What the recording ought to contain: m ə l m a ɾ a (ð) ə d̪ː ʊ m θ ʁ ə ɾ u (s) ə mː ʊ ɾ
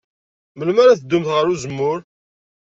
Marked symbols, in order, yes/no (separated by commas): no, no